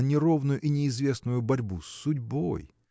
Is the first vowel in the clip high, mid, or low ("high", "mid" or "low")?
high